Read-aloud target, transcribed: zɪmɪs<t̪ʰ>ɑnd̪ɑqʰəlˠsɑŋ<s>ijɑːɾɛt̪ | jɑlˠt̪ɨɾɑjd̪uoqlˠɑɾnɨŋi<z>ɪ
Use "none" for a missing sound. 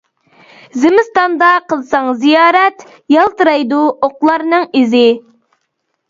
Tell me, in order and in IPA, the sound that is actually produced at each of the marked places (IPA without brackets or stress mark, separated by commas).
t̪, z, z